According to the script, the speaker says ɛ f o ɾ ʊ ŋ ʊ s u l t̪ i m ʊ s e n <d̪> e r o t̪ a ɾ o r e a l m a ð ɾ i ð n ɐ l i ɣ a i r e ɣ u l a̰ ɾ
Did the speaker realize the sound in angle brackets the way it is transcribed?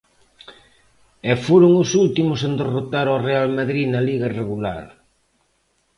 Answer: yes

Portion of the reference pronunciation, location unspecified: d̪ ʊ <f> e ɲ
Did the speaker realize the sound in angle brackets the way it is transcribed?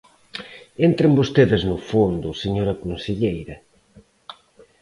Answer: no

